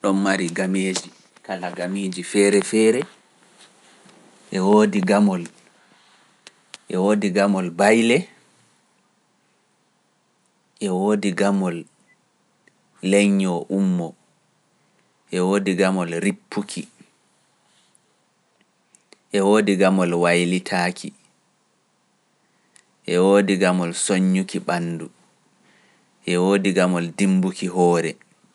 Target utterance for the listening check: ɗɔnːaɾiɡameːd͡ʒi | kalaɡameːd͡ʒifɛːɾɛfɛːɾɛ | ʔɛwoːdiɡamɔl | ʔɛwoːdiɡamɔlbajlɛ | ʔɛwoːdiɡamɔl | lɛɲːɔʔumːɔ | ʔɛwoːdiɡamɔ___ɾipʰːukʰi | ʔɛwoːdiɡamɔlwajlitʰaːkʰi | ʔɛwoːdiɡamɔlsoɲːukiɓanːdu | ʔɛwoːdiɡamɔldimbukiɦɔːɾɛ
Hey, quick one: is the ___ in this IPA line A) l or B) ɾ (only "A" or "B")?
A